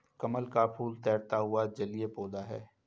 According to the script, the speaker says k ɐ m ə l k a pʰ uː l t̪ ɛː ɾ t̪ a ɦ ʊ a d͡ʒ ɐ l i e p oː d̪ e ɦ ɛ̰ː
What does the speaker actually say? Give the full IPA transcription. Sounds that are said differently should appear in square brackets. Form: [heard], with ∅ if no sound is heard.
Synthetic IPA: k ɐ m ə l k a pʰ uː l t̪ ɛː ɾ t̪ a ɦ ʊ a d͡ʒ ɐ l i e p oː d̪ [a] ɦ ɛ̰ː